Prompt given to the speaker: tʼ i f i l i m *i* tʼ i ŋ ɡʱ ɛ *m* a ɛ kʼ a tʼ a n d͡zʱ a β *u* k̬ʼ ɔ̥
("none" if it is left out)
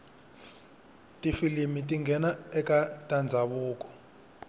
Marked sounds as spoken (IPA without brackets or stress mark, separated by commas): i, n, uː